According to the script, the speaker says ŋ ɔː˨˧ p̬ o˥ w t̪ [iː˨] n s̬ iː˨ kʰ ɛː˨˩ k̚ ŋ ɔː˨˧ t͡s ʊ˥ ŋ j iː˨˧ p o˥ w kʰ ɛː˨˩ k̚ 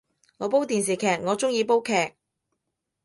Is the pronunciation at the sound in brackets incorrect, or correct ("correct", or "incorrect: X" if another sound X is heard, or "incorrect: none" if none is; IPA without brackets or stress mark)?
correct